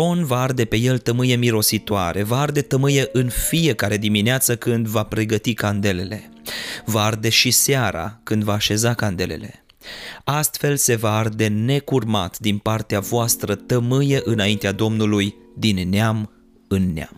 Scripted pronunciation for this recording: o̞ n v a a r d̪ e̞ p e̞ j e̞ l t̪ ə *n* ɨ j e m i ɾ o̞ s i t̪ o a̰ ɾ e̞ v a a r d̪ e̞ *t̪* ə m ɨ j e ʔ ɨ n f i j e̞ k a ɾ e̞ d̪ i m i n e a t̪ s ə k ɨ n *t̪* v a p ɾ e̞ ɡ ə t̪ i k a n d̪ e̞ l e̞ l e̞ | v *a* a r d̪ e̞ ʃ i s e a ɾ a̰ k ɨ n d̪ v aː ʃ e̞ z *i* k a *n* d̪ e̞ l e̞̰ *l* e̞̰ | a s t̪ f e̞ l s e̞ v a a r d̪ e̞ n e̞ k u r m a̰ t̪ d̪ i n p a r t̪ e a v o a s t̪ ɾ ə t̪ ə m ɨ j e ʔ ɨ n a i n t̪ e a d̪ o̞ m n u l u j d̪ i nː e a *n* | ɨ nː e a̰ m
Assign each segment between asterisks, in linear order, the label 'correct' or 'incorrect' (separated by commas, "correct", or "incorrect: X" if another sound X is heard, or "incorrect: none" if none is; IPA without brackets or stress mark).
incorrect: m, correct, incorrect: d̪, correct, incorrect: a, correct, correct, incorrect: m